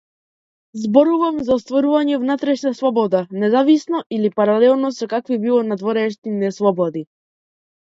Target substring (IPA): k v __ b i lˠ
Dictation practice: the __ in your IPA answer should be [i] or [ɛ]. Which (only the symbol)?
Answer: i